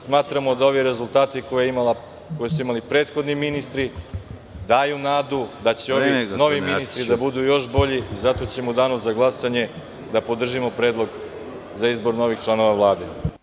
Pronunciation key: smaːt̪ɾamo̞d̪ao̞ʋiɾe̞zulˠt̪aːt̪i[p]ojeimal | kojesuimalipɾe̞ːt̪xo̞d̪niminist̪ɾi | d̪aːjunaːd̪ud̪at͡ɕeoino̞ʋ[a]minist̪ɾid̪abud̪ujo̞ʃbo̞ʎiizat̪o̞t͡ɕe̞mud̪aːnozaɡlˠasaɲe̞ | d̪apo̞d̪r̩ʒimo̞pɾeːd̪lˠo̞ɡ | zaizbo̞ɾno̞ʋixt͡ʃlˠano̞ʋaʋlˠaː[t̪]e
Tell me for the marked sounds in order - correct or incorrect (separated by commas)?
incorrect, incorrect, incorrect